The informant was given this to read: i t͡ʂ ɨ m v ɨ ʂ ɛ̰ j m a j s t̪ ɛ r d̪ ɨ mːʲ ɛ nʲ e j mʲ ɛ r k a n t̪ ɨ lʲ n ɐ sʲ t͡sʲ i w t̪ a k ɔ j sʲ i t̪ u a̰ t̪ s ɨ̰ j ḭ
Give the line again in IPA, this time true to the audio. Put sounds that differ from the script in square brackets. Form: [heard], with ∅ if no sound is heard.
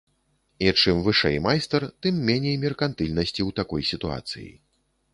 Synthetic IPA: i t͡ʂ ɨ m v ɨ ʂ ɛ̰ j m a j s t̪ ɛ r [t̪] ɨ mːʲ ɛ nʲ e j mʲ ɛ r k a n t̪ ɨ lʲ n ɐ sʲ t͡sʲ i w t̪ a k ɔ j sʲ i t̪ u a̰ t̪ s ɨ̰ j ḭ